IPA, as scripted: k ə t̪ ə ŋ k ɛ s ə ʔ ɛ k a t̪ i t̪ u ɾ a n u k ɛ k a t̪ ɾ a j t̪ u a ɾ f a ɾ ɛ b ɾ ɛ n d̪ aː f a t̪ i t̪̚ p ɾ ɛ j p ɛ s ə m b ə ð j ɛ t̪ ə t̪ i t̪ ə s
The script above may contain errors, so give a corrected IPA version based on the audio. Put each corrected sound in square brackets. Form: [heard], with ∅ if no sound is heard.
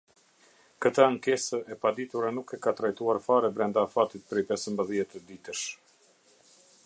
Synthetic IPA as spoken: k ə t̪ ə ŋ k ɛ s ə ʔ ɛ [p] a [d̪] i t̪ u ɾ a n u k ɛ k a t̪ ɾ a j t̪ u a ɾ f a ɾ ɛ b ɾ ɛ n d̪ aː f a t̪ i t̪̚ p ɾ ɛ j p ɛ s ə m b ə ð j ɛ t̪ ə [d̪] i t̪ ə [ʃ]